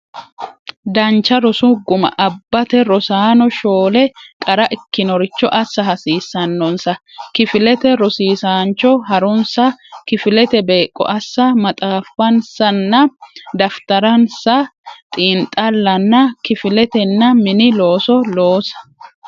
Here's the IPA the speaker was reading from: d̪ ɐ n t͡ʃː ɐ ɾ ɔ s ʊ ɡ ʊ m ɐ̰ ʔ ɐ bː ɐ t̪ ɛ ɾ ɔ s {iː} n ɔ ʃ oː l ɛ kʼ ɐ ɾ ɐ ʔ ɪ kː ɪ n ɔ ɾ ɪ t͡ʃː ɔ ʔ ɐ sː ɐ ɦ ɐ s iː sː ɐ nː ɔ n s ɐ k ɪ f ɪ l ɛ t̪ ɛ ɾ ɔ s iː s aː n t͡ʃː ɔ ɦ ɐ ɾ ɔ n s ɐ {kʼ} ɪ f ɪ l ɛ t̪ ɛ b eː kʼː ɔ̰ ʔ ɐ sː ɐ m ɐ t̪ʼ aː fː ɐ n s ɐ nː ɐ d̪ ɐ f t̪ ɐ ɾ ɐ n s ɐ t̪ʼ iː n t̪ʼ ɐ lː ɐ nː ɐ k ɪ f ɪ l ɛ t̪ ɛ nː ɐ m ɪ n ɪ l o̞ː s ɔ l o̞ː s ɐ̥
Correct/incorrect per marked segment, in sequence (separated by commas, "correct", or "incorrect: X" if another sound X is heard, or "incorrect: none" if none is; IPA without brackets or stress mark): incorrect: aː, incorrect: k